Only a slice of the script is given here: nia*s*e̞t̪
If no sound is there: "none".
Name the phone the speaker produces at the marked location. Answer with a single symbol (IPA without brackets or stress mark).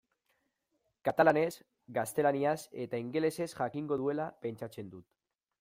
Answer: s